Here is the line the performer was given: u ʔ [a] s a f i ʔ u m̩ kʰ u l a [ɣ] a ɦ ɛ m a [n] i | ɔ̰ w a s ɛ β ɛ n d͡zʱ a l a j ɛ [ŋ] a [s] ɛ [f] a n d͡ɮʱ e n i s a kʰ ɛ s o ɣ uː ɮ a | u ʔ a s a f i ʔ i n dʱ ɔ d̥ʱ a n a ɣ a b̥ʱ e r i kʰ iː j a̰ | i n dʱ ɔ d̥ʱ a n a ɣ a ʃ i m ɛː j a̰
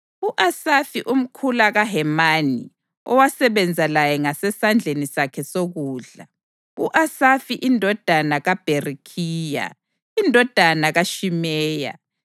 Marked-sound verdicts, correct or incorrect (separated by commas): correct, correct, correct, correct, correct, incorrect